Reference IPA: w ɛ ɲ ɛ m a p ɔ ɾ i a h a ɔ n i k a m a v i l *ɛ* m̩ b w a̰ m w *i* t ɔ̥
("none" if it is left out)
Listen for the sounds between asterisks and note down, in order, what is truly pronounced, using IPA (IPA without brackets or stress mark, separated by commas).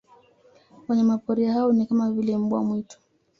ɛ, i